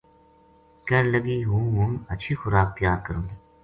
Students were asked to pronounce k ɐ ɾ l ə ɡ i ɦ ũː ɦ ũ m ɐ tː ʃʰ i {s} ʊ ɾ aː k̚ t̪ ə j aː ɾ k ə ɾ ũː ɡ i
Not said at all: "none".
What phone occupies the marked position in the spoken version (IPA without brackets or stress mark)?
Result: x